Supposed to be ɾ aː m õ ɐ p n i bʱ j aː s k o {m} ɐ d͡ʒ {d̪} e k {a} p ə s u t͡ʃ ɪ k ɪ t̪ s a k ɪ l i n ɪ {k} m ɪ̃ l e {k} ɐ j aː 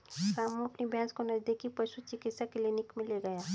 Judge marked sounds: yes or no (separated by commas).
no, yes, no, yes, no